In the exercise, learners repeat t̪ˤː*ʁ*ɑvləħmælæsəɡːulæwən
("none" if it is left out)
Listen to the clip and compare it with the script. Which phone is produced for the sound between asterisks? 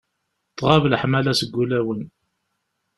ʁ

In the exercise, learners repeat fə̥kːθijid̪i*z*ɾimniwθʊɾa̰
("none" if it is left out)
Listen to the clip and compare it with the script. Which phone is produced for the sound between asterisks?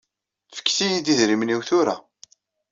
ð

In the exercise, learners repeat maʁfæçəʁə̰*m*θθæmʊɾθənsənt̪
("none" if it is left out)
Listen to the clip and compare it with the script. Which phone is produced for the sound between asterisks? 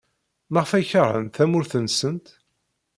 n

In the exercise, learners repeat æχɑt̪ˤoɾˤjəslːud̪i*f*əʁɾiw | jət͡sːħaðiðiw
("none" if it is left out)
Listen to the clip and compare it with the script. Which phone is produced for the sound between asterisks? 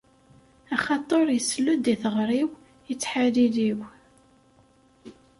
θ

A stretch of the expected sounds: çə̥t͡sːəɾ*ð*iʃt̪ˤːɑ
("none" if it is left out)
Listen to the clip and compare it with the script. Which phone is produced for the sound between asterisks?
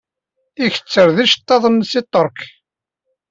ð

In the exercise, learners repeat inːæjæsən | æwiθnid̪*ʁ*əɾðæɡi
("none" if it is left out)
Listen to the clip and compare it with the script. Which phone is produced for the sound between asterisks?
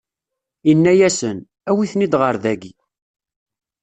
ʁ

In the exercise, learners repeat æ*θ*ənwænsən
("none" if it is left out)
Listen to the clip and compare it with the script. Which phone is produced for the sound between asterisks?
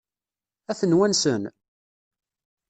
θ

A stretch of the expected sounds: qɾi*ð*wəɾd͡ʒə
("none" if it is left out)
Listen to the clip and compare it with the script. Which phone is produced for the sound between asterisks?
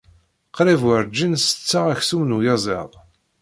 v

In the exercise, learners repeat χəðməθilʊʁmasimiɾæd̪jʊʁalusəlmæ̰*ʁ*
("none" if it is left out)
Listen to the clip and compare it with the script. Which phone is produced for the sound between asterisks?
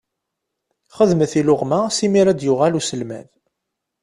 ð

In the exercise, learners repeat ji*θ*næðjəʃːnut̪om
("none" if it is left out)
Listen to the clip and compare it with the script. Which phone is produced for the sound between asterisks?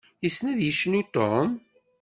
s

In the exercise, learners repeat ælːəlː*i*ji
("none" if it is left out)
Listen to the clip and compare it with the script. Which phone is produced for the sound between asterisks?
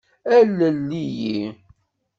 i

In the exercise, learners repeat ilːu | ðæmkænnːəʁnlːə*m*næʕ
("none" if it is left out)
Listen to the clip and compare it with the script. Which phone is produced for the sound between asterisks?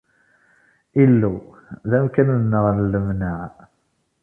m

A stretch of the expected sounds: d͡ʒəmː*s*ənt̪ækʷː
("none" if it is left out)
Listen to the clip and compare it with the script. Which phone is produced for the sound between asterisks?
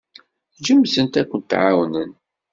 s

